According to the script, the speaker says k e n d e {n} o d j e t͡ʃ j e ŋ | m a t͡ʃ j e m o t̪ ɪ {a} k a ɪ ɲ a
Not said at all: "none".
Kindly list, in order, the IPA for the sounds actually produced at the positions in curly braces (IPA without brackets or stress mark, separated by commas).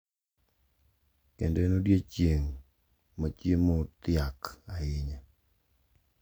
n, a